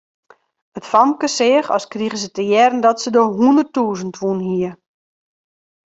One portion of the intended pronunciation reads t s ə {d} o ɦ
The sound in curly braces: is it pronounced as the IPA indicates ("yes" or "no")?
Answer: yes